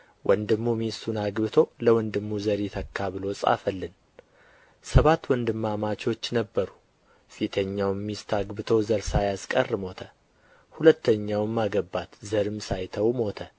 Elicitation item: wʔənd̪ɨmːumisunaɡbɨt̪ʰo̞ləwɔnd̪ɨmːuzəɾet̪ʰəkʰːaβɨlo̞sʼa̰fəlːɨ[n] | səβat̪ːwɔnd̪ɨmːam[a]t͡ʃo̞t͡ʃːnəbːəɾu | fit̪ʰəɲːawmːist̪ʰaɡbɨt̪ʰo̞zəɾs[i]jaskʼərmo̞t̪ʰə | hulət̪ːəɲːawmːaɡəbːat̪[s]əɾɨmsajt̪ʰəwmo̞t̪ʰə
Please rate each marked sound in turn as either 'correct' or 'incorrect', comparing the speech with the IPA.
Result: correct, correct, incorrect: a, incorrect: z

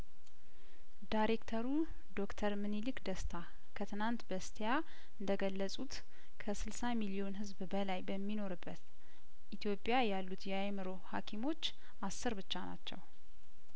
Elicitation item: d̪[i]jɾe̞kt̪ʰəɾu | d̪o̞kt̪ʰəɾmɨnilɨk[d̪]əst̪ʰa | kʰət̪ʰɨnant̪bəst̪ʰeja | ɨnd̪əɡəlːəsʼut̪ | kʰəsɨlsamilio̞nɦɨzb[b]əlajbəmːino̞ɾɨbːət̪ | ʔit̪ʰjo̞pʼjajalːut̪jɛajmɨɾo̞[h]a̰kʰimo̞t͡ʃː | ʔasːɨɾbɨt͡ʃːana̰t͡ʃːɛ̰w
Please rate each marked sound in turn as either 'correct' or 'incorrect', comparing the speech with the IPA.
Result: incorrect: a, correct, correct, correct

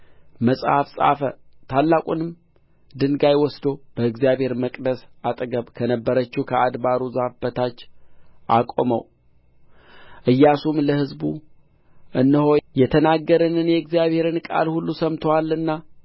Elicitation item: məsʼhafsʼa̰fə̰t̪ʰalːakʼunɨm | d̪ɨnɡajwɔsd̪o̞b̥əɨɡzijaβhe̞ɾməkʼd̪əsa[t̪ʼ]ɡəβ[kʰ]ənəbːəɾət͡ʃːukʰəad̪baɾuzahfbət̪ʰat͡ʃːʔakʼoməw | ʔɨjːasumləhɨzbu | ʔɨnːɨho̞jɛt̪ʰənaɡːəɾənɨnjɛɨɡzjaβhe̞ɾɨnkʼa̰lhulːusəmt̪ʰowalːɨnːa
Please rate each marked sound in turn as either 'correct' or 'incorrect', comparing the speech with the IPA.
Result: correct, correct

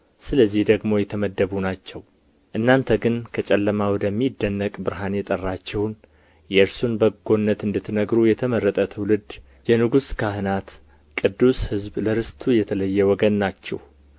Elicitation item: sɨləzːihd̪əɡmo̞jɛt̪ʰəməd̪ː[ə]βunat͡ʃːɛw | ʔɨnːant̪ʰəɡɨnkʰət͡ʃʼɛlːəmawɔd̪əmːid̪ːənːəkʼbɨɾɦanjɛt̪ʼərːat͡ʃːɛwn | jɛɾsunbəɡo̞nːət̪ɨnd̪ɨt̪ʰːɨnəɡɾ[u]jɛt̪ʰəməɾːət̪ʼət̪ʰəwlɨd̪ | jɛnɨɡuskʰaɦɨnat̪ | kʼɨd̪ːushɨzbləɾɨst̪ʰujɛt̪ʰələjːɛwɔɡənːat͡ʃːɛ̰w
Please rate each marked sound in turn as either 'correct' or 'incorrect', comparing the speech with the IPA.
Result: correct, correct

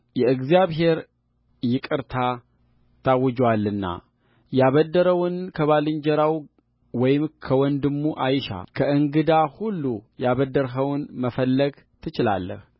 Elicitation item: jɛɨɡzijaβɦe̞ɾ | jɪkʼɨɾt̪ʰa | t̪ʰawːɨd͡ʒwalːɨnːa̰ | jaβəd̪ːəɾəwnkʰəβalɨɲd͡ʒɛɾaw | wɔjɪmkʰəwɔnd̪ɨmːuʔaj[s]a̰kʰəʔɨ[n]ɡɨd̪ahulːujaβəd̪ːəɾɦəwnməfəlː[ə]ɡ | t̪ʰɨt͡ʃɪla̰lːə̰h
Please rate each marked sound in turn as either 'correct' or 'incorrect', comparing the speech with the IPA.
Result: incorrect: ʃ, incorrect: ŋ, correct

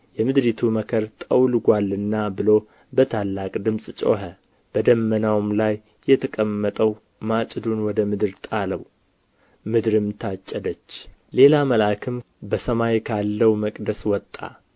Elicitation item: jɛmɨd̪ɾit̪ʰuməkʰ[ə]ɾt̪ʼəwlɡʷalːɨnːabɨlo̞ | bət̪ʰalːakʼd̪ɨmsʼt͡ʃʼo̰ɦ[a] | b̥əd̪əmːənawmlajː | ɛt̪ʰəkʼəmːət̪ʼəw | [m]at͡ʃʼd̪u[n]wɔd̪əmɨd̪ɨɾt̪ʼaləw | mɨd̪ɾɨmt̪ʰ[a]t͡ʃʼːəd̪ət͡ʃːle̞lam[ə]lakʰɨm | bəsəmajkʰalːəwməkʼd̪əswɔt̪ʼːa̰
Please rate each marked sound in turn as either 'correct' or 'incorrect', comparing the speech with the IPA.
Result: correct, incorrect: ə, correct, correct, correct, correct

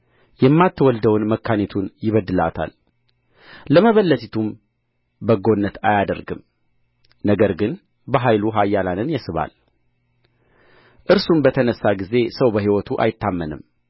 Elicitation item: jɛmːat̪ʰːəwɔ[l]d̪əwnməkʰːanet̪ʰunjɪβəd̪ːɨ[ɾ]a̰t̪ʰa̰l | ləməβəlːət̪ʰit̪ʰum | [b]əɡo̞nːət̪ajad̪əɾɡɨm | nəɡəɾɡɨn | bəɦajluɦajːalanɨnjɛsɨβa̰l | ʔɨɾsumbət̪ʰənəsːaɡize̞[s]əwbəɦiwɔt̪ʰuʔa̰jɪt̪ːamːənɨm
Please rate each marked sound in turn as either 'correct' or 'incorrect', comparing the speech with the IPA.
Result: correct, incorrect: l, correct, correct

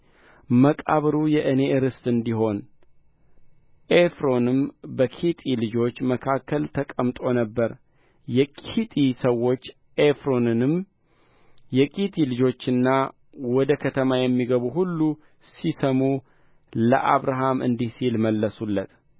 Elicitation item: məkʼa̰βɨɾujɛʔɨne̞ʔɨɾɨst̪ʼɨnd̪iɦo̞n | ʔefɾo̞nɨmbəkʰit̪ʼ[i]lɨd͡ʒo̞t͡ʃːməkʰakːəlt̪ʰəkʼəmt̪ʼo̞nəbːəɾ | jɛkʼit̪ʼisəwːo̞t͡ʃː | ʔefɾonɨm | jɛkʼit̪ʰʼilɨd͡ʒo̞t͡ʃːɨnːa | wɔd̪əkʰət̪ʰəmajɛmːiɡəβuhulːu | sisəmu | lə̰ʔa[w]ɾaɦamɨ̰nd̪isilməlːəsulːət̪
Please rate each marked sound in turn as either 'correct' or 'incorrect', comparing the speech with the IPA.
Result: correct, incorrect: β

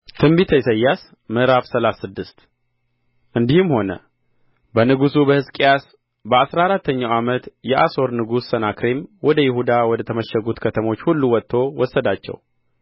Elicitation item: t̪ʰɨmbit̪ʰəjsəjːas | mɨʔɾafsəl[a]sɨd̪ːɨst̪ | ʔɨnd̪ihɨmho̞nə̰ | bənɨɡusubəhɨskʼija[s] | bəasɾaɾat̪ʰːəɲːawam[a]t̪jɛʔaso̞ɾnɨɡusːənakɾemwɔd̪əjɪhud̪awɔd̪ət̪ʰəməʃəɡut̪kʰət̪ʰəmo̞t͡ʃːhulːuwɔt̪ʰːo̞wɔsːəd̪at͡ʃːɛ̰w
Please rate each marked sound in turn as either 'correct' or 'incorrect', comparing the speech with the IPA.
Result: correct, correct, incorrect: ə

